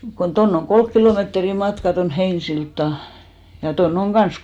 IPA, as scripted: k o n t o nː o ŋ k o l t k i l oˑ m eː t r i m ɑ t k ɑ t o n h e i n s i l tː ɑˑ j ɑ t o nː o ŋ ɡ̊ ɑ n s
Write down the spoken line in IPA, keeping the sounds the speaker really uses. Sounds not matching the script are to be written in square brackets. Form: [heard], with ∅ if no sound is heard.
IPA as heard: k o n t o nː o ŋ k o l [k] k i l oˑ m eː t r i m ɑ t k ɑ t o n h e i n s i l tː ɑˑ j ɑ t o nː o ŋ ɡ̊ ɑ n s